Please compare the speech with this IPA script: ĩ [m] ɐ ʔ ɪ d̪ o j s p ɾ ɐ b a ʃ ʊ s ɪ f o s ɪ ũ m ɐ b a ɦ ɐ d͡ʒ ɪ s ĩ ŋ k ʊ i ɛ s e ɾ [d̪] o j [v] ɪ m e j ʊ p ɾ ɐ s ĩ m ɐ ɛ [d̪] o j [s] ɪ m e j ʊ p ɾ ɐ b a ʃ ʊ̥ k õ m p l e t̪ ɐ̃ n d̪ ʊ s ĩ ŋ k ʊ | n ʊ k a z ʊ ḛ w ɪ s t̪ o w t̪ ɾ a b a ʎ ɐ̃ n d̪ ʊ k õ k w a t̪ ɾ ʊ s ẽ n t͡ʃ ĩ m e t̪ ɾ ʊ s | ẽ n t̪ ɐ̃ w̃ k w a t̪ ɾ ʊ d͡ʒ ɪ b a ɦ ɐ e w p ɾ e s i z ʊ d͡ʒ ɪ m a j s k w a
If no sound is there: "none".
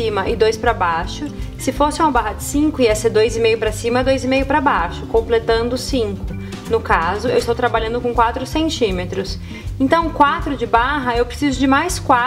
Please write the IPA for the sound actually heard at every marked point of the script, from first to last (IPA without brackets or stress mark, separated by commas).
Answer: m, d̪, z, d̪, z